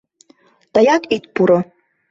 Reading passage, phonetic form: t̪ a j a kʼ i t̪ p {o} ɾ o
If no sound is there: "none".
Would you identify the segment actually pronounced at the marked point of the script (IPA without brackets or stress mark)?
u